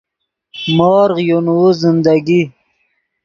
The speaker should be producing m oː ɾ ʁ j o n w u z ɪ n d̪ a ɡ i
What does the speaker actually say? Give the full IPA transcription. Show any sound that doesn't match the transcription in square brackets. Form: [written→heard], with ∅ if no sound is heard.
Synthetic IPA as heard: m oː ɾ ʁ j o n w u z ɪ n d̪ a ɡ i